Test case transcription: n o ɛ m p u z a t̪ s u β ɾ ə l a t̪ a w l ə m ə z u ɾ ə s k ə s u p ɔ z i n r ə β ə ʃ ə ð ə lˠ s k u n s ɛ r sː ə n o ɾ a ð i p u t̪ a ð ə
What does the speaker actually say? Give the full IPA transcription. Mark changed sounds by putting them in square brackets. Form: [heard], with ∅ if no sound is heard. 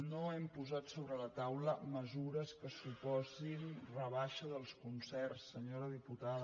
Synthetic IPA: n o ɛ m p u z a t̪ s [o] β ɾ ə l [ə] t̪ a w l ə m ə z u ɾ ə s k ə s u p ɔ z i n r ə β [a] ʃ ə ð ə lˠ s k u n s ɛ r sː ə [ɲ] o ɾ [ə] ð i p u t̪ a ð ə

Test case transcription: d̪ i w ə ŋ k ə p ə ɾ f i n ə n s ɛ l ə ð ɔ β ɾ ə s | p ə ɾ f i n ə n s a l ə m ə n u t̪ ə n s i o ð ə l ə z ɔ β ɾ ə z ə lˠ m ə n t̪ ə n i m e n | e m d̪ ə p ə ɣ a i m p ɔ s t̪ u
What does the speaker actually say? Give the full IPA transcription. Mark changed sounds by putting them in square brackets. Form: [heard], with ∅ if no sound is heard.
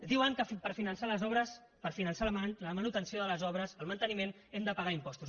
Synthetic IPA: d̪ i w ə ŋ k ə p ə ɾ f i n ə n s [a] l ə [z] ɔ β ɾ ə s | p ə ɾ f i n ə n s a l ə m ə n u t̪ ə n s i o ð ə l ə z ɔ β ɾ ə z ə lˠ m ə n t̪ ə n i m e n | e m d̪ ə p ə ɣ a i m p ɔ s t̪ u

